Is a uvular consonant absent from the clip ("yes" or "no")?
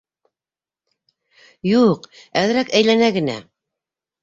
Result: no